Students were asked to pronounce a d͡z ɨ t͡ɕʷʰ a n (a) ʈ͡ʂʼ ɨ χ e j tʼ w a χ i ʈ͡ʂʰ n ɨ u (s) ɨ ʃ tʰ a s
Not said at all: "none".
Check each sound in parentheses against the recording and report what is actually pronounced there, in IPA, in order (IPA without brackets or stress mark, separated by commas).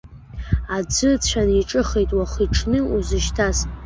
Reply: i, z